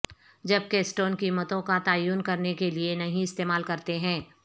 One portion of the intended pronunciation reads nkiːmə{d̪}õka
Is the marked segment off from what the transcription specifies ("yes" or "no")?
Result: yes